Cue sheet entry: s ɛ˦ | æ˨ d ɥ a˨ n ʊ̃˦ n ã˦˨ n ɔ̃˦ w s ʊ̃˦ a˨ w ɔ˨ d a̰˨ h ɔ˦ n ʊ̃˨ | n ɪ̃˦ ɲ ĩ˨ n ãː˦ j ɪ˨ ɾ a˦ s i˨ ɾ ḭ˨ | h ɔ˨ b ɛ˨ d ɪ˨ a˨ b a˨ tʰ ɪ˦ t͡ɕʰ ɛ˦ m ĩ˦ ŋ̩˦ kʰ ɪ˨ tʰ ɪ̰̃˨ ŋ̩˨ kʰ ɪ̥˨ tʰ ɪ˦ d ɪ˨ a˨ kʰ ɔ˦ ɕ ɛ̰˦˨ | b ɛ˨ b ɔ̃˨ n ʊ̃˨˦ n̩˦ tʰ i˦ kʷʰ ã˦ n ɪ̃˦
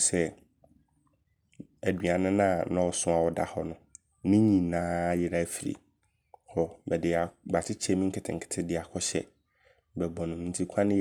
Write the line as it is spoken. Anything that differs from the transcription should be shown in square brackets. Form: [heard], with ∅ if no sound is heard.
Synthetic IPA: s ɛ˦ | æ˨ d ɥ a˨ n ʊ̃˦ n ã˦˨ n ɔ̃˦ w s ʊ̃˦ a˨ w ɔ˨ d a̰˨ h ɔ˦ n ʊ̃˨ | n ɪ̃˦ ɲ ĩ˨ n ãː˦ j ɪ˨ ɾ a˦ [f] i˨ ɾ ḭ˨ | h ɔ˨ b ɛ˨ d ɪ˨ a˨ b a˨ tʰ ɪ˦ t͡ɕʰ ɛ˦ m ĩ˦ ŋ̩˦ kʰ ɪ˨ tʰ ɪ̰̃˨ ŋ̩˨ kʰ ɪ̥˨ tʰ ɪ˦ d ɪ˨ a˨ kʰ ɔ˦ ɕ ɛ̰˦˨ | b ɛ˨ b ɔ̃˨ n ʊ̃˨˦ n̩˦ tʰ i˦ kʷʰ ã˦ n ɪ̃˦